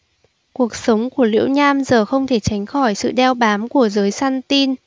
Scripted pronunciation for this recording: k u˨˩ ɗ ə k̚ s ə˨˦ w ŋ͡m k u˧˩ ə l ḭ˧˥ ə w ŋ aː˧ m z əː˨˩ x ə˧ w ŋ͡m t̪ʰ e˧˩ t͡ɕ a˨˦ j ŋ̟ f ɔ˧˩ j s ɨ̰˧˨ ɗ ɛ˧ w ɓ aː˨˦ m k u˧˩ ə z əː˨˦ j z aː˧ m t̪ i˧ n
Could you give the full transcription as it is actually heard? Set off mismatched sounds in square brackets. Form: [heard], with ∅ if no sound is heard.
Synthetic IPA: k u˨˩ [∅] ə k̚ s ə˨˦ w ŋ͡m k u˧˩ ə l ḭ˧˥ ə w [ɲ] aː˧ m z əː˨˩ x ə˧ w ŋ͡m t̪ʰ e˧˩ t͡ɕ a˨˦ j ŋ̟ [x] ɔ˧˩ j s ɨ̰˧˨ ɗ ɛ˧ w ɓ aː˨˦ m k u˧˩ ə z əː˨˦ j [s] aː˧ [n] t̪ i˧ n